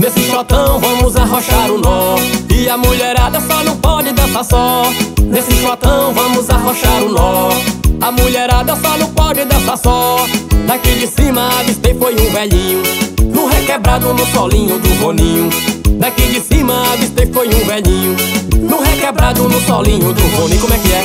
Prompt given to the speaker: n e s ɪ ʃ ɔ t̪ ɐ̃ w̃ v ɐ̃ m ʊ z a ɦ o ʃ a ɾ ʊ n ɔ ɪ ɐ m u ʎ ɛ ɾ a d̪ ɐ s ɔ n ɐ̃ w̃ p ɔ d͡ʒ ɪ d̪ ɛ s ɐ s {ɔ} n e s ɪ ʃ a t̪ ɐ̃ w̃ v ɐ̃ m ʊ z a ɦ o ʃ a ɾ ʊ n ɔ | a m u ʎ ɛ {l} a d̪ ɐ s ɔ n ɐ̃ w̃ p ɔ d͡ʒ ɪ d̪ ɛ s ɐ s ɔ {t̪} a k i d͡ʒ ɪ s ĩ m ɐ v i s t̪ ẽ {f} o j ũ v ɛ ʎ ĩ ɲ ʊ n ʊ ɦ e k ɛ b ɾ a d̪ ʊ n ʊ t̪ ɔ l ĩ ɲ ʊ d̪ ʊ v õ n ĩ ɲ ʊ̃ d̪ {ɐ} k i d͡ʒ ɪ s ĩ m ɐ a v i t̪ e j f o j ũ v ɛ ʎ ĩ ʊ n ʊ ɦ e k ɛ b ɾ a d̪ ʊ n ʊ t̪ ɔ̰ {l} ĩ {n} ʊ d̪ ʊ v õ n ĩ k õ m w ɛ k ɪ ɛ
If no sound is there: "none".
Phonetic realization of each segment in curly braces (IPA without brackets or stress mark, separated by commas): ɔ, ɾ, d̪, f, a, l, ɲ